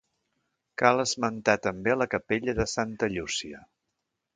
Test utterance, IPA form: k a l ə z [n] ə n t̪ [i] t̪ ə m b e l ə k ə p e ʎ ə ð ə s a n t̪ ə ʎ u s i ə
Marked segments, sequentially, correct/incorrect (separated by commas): incorrect, incorrect